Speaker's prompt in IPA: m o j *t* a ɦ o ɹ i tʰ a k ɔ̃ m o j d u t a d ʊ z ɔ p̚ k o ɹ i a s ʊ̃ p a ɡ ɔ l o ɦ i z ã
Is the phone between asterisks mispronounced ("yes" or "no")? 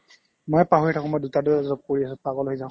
yes